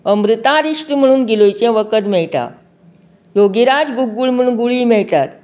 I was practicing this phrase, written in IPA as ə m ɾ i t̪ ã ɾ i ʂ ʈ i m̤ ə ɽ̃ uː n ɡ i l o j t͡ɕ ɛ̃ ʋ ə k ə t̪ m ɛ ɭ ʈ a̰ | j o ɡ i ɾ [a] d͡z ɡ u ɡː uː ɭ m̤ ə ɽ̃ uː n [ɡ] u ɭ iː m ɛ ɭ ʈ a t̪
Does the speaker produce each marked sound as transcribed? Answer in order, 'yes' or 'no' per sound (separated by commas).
yes, yes